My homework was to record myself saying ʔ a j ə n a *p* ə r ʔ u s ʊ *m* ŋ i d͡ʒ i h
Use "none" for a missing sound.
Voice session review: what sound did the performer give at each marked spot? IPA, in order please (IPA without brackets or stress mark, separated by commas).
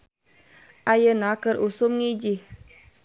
k, m